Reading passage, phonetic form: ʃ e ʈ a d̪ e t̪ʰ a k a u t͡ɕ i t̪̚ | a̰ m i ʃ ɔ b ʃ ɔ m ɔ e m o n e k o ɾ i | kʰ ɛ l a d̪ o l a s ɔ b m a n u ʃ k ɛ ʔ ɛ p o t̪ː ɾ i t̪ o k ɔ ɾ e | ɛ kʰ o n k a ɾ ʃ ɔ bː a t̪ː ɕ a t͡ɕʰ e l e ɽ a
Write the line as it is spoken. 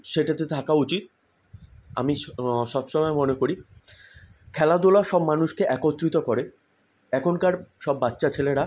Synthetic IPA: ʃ e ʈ a t̪ e t̪ʰ a k a u t͡ɕ i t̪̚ | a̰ m i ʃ ɔ b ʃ ɔ m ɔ e m o n e k o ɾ i | kʰ ɛ l a d̪ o l a ʃ ɔ b m a n u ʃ k e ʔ ɛ k o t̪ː ɾ i t̪ o k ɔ ɾ e | ɛ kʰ o n k a ɾ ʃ ɔ bː a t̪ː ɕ a t͡ɕʰ e l e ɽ a